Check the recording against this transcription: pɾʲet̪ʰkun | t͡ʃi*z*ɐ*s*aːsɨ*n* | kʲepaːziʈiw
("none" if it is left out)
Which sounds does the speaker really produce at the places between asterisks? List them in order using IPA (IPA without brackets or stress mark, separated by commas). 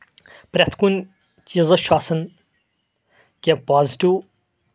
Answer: z, ʃ, n